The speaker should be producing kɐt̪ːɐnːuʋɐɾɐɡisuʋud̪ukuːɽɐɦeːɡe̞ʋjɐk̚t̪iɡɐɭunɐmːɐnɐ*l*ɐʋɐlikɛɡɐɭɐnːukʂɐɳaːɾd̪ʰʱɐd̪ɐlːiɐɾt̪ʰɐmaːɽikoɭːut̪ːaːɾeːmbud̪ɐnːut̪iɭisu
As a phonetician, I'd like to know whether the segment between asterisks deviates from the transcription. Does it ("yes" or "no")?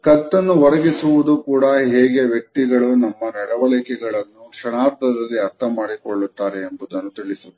yes